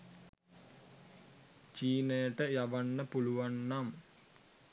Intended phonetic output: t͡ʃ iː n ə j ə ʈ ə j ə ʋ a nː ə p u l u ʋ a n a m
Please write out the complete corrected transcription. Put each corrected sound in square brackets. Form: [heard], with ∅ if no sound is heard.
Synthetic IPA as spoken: t͡ʃ iː n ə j ə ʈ ə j [a] ʋ a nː ə p u l u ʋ a [nː] a m